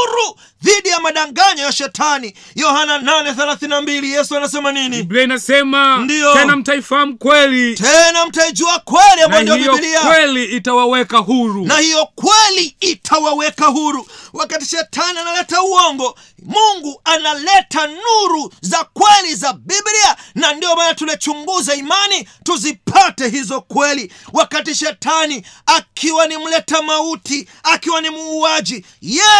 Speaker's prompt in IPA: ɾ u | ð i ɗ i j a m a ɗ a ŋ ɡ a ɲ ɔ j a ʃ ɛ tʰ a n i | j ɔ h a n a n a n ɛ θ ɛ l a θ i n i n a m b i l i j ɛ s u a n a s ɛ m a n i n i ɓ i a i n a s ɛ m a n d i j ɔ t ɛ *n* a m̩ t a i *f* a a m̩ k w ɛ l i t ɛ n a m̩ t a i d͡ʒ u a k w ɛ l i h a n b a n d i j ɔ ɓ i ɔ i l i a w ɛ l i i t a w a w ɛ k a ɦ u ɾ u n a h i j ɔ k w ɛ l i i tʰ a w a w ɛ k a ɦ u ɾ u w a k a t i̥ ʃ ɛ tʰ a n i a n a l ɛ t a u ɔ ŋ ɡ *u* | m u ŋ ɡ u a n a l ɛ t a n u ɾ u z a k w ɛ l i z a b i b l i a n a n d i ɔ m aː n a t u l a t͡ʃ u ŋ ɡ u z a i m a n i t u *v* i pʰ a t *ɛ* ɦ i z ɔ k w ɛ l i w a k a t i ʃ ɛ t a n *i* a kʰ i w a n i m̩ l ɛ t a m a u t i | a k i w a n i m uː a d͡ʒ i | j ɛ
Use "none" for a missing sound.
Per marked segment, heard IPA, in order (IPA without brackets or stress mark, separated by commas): n, f, ɔ, z, ɛ, i